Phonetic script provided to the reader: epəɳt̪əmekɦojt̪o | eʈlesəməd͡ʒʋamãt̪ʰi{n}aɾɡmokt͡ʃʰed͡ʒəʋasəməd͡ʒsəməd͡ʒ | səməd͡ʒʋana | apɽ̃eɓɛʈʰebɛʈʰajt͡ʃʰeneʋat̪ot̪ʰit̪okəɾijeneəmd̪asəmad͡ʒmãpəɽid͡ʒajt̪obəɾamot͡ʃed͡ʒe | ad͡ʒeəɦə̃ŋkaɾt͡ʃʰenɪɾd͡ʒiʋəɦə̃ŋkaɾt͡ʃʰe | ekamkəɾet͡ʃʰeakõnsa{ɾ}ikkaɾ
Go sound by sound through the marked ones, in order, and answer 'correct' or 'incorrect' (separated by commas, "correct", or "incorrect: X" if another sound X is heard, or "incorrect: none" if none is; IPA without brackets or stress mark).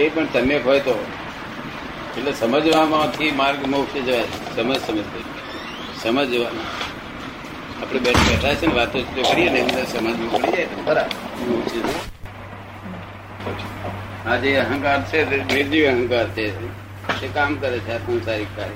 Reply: incorrect: m, correct